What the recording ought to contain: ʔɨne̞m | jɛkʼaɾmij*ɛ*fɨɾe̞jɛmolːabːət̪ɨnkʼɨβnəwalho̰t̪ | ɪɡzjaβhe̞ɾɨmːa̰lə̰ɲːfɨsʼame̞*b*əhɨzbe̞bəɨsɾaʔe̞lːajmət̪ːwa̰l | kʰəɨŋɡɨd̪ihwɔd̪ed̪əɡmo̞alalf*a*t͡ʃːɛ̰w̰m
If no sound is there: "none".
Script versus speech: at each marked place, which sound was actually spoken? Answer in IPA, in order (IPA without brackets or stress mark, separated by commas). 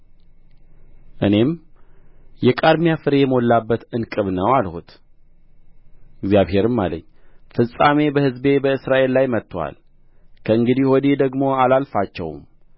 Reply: a, b, a